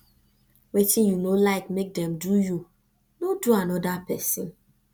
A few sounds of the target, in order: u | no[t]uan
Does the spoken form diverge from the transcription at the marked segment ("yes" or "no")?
yes